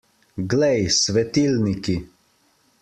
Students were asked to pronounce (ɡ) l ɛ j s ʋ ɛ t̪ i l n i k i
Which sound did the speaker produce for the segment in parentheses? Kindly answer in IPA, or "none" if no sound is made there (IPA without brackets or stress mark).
ɡ